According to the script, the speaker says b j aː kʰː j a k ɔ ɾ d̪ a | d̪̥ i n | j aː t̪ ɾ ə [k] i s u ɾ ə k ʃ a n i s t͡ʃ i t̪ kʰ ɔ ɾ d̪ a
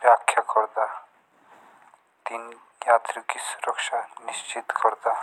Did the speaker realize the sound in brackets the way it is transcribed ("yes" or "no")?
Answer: yes